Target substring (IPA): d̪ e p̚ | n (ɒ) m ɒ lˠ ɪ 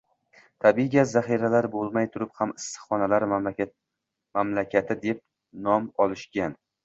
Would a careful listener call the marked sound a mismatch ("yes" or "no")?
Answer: no